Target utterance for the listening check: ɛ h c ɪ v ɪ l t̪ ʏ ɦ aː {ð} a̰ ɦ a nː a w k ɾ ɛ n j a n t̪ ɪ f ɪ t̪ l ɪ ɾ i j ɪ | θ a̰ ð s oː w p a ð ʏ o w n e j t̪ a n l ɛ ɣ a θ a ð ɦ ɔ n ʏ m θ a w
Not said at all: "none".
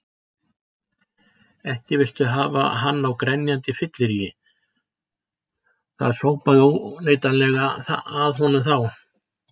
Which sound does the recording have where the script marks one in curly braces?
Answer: v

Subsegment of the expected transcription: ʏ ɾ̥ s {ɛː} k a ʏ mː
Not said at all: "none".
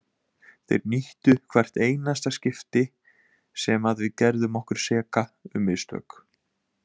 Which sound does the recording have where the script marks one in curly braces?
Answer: ɛː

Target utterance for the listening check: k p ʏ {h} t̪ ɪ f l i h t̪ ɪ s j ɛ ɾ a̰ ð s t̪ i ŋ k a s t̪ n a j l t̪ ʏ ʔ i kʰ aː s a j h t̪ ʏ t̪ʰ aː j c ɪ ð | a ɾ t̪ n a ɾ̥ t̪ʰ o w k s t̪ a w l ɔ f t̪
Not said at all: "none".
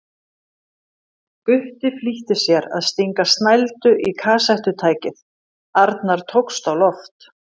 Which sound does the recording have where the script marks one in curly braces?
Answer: h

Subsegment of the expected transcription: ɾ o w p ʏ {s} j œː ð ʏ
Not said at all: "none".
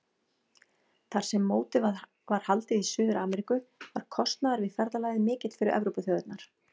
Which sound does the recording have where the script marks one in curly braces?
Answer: θ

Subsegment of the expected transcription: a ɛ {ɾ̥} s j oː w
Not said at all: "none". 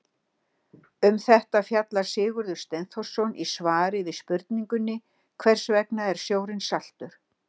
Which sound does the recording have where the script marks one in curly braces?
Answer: ɾ̥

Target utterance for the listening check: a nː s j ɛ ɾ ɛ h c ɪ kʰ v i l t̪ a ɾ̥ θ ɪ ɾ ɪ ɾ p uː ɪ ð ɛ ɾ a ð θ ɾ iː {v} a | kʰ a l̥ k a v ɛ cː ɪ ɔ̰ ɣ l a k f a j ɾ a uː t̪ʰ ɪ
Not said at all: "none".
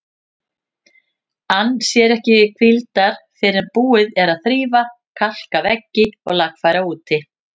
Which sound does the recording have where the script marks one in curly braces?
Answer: v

